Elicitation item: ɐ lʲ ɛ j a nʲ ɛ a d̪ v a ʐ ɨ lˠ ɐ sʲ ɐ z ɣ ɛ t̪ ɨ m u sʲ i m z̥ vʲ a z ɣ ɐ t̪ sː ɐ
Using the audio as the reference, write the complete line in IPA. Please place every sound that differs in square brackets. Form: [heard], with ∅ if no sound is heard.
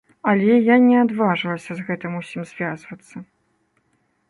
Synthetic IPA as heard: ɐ lʲ ɛ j a nʲ ɛ a d̪ v a ʐ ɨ lˠ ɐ sʲ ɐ z ɣ ɛ t̪ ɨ m u sʲ i m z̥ vʲ a z [v] ɐ t̪ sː ɐ